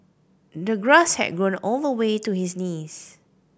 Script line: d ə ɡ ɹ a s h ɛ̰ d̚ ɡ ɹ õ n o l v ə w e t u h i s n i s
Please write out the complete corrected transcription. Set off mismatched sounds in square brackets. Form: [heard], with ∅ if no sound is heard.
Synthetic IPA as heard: d ə ɡ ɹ a s h ɛ̰ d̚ ɡ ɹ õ n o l v ə w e t u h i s n i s